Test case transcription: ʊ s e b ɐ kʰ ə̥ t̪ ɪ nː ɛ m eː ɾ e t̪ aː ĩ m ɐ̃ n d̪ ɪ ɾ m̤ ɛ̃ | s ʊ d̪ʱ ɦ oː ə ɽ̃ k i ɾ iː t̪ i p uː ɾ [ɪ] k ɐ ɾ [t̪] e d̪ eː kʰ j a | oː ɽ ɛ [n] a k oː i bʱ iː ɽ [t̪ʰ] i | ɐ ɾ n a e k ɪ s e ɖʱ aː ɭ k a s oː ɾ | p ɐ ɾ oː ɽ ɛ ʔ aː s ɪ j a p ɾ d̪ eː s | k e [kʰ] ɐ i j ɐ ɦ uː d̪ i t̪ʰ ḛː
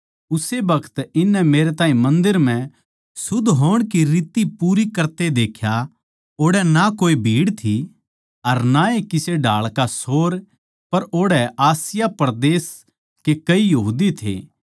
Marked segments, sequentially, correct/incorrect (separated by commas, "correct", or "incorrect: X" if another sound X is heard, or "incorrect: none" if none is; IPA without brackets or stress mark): incorrect: i, correct, correct, correct, incorrect: k